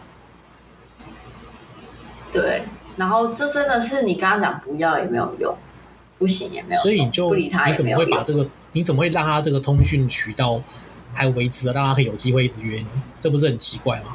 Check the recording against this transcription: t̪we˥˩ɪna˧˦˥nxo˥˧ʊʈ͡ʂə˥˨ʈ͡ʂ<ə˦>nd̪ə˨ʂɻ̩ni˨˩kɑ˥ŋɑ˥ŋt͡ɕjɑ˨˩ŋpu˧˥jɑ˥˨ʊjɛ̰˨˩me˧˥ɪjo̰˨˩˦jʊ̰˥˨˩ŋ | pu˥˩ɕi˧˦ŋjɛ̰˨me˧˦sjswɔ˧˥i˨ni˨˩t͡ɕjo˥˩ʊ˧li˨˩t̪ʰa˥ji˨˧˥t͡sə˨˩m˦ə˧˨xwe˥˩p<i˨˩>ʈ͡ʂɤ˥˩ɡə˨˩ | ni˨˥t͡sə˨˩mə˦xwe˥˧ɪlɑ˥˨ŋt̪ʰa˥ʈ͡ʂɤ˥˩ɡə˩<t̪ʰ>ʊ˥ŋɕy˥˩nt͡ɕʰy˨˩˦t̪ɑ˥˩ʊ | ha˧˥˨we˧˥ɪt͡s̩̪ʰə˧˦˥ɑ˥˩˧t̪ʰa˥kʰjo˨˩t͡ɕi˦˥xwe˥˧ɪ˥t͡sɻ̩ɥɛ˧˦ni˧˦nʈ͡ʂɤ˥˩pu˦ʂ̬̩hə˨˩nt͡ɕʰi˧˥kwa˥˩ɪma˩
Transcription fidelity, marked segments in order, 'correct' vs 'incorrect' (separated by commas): correct, incorrect, correct